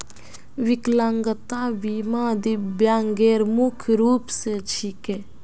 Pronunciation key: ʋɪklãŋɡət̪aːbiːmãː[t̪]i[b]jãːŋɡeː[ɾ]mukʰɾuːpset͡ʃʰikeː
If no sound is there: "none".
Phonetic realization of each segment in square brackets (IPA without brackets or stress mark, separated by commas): d̪, b, ɾ